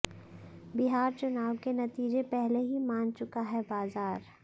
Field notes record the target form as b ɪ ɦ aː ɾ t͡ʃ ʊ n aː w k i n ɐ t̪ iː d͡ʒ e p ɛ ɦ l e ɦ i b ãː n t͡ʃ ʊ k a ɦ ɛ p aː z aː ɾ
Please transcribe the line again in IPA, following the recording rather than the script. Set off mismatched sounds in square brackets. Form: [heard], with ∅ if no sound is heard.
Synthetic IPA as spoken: b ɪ ɦ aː ɾ t͡ʃ ʊ n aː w k [e] n ɐ t̪ iː d͡ʒ e p ɛ ɦ l e ɦ i [m] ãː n t͡ʃ ʊ k a ɦ ɛ [b] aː z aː ɾ